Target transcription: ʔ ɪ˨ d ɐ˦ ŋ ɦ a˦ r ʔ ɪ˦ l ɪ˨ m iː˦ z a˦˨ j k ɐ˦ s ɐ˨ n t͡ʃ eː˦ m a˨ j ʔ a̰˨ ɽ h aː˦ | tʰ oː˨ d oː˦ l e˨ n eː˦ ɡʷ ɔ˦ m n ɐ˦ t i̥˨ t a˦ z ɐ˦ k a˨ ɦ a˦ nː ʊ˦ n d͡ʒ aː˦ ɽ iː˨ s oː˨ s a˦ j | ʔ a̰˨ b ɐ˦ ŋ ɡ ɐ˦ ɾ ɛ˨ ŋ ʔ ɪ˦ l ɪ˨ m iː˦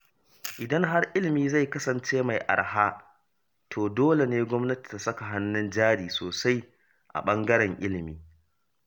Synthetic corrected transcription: ʔ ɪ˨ d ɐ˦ ŋ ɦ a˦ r ʔ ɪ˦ l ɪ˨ m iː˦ z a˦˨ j k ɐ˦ s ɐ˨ n t͡ʃ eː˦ m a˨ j ʔ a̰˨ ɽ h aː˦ | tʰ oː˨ d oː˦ l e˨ n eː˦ ɡʷ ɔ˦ m n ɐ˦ t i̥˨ t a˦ s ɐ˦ k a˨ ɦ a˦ nː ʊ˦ n d͡ʒ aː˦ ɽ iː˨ s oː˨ s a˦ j | ʔ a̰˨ ɓ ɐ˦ ŋ ɡ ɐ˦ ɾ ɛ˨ ŋ ʔ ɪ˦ l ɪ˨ m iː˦